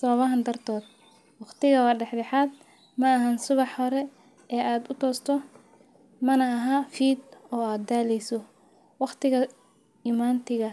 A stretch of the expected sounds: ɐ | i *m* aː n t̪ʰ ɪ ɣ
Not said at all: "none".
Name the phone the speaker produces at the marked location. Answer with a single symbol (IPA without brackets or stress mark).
m